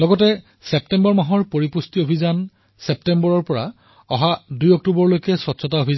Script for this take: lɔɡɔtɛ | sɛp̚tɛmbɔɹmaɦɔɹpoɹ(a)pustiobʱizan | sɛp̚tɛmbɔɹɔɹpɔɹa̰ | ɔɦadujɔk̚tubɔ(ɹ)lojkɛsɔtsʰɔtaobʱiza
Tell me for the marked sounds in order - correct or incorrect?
incorrect: i, correct

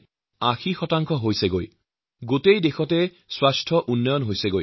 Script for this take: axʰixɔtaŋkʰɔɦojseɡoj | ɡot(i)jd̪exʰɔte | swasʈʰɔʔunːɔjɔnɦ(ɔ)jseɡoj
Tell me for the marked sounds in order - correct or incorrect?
incorrect: e, incorrect: o

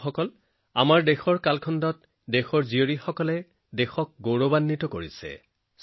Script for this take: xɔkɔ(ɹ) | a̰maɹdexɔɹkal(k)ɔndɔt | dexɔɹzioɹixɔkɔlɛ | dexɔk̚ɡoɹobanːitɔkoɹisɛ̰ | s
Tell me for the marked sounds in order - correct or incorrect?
incorrect: l, incorrect: kʰ

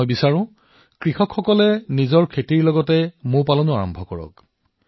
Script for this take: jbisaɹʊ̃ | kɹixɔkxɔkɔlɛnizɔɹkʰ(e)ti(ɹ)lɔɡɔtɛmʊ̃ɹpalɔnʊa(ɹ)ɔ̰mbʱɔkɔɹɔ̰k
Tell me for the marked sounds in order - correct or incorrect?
correct, correct, correct

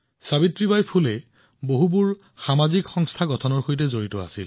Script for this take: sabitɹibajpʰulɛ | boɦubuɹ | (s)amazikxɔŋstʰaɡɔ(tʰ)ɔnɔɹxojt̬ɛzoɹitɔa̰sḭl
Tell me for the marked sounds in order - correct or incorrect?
incorrect: x, correct

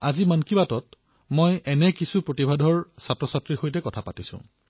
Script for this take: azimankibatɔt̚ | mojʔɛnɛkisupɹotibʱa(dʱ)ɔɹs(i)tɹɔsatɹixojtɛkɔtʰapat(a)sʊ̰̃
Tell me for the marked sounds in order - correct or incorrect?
correct, incorrect: a, incorrect: i

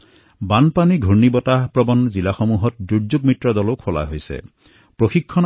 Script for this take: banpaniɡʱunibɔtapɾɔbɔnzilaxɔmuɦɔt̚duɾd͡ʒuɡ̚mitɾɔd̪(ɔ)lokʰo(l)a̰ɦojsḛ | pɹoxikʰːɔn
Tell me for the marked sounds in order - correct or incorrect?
correct, correct

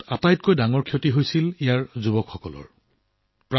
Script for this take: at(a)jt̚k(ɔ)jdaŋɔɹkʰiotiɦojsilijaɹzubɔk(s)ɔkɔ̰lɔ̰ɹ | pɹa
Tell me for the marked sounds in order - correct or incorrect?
correct, incorrect: o, incorrect: x

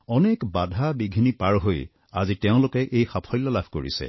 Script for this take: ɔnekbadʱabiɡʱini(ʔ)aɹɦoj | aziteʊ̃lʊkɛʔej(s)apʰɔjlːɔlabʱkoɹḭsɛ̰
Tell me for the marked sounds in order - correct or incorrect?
incorrect: p, incorrect: x

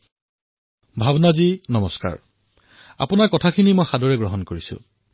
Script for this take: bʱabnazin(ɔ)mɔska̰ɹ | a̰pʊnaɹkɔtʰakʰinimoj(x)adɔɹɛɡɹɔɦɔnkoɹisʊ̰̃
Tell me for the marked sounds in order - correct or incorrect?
correct, correct

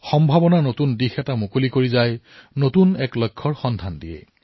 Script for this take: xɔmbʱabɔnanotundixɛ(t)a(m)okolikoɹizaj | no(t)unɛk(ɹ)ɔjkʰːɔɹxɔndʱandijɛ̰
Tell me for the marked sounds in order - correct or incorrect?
correct, correct, correct, incorrect: l

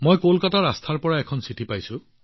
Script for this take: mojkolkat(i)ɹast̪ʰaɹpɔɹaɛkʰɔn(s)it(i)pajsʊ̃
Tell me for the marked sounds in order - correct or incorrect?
incorrect: a, correct, correct

